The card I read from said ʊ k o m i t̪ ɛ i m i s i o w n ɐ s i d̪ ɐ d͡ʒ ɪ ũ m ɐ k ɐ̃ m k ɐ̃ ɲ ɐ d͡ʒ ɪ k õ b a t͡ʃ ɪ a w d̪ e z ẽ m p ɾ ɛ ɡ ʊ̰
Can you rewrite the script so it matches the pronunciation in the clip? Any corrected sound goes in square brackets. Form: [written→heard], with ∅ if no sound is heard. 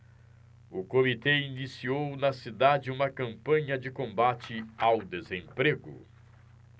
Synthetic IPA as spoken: ʊ k o m i t̪ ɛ i [m→n] i s i o w n ɐ s i d̪ [ɐ→a] d͡ʒ ɪ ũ m ɐ k ɐ̃ m [k→p] ɐ̃ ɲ ɐ d͡ʒ ɪ k õ b a t͡ʃ ɪ a w d̪ e z ẽ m p ɾ [ɛ→e] ɡ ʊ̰